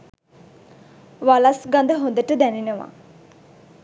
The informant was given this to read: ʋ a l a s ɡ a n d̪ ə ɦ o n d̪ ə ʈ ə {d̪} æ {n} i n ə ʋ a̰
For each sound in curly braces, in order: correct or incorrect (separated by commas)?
correct, correct